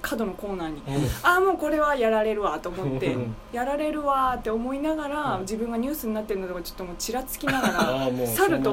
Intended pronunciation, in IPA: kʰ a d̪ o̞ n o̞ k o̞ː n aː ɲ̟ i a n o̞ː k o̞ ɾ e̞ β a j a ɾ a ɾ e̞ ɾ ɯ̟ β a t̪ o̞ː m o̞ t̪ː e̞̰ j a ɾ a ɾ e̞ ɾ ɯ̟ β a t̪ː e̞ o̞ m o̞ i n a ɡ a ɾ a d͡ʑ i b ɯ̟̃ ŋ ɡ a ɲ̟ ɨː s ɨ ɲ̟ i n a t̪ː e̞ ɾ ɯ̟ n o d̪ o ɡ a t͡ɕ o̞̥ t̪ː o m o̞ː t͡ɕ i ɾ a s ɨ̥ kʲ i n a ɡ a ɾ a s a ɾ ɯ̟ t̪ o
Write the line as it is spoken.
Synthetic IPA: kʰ a d̪ o̞ n o̞ k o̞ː n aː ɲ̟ i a m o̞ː k o̞ ɾ e̞ β a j a ɾ a ɾ e̞ ɾ ɯ̟ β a t̪ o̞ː m o̞ t̪ː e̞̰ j a ɾ a ɾ e̞ ɾ ɯ̟ β a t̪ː e̞ o̞ m o̞ i n a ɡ a ɾ a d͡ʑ i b ɯ̟̃ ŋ ɡ a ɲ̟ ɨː s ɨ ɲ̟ i n a t̪ː e̞ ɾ ɯ̟ n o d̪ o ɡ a t͡ɕ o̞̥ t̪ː o m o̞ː t͡ɕ i ɾ a t͡s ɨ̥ kʲ i n a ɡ a ɾ a s a ɾ ɯ̟ t̪ o